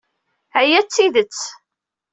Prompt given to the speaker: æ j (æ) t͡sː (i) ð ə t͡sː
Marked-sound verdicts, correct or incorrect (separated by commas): correct, correct